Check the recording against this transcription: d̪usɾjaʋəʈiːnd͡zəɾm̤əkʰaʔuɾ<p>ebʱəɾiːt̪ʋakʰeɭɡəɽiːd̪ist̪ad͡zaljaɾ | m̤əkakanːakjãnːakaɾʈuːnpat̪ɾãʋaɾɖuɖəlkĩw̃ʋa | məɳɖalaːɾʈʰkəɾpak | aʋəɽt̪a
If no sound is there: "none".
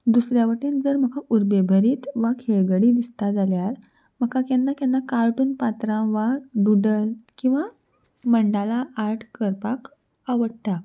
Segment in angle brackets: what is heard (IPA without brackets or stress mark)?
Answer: b